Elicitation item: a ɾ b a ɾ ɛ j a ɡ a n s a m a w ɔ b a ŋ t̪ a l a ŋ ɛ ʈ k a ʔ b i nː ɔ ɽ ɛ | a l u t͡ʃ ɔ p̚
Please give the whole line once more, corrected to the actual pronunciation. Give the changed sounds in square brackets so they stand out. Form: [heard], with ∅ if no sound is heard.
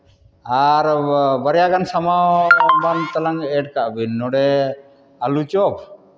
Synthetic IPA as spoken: a ɾ b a ɾ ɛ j a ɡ a n s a m a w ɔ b a [n] t̪ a l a ŋ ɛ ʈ k a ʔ b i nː ɔ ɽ ɛ | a l u t͡ʃ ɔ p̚